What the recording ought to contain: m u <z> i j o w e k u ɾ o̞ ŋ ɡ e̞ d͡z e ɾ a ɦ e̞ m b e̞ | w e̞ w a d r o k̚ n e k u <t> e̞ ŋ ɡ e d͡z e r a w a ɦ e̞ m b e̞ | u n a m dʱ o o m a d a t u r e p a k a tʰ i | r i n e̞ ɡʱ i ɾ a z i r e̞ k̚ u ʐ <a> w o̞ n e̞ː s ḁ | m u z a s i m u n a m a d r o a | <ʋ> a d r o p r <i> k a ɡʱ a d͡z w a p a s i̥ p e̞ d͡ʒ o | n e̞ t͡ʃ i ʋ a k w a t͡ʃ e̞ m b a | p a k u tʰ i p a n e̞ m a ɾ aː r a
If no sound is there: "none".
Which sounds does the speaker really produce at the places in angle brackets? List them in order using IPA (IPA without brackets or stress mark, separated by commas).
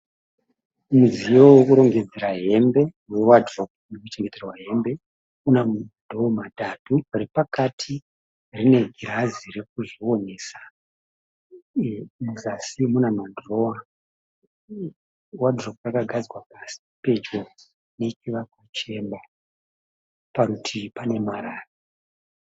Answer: z, t͡ʃ, i, w, a